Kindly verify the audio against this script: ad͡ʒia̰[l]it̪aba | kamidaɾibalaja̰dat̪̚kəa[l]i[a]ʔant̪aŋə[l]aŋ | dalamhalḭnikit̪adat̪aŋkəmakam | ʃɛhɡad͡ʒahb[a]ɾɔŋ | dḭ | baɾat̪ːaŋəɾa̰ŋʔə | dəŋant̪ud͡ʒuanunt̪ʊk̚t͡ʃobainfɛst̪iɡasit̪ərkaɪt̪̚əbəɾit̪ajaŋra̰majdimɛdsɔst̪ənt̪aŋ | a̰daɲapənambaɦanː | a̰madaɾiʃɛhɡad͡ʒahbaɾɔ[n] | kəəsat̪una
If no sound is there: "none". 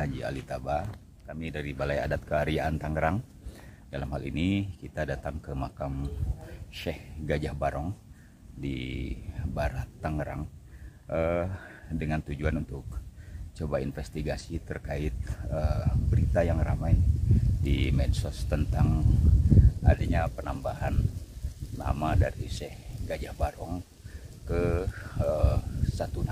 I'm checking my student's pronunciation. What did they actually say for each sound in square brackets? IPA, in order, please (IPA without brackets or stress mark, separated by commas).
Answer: l, ɾ, a, ɾ, a, ŋ